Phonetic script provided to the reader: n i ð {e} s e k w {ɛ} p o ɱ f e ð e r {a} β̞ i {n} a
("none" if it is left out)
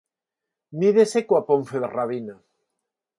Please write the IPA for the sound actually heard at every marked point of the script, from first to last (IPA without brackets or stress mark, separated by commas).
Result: e, a, a, n